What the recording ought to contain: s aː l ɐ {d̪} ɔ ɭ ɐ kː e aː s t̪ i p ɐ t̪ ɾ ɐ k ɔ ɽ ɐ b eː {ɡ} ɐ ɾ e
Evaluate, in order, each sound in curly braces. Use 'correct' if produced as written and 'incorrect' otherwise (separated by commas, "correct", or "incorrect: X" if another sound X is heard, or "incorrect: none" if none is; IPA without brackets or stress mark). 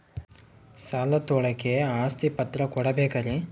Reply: incorrect: t̪, incorrect: k